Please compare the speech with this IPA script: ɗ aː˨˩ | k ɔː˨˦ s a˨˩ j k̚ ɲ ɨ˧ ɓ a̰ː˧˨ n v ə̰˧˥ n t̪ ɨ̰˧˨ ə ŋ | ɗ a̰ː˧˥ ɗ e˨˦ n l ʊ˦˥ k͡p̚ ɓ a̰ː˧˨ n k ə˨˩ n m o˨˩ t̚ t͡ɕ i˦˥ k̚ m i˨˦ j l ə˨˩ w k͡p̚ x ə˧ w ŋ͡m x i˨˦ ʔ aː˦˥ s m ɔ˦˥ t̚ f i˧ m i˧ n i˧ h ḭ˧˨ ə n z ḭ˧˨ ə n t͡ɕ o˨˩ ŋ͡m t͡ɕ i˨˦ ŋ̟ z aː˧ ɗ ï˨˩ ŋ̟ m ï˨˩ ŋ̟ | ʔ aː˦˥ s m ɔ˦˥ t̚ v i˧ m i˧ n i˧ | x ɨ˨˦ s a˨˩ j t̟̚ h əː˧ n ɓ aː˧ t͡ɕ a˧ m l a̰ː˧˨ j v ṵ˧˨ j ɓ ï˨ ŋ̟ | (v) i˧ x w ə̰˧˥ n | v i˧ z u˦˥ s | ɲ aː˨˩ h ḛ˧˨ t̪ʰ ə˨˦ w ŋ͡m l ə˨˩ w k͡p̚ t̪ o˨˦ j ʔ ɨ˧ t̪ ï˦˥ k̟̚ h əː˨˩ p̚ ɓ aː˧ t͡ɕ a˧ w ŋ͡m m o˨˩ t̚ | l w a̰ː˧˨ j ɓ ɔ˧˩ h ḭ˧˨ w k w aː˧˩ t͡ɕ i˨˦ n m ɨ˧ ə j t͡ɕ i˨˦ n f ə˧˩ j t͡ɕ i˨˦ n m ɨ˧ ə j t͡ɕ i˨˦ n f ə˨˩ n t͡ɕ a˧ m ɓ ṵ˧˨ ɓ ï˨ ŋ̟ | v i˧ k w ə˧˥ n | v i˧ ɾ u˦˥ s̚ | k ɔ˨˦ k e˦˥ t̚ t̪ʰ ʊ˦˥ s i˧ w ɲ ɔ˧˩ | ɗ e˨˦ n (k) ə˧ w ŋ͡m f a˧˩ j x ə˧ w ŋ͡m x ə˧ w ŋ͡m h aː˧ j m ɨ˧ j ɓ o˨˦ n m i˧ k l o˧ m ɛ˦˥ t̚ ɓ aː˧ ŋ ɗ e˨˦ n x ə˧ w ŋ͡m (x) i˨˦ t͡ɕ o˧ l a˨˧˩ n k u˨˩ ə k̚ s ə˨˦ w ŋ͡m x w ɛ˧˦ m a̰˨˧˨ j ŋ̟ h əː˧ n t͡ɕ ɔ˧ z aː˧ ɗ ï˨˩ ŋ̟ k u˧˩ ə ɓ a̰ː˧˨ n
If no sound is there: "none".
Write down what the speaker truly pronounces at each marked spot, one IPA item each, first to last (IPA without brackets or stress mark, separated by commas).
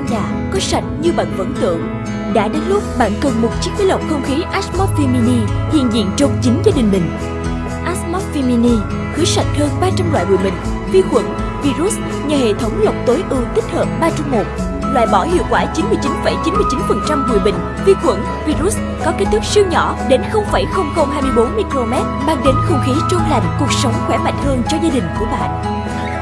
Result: v, x, x